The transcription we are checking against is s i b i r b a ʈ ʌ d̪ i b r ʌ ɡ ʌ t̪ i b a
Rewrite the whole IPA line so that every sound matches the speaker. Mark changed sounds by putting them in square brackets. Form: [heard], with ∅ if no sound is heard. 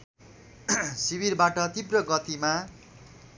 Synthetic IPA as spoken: s i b i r b a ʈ ʌ [t̪] i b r ʌ ɡ ʌ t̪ i [m] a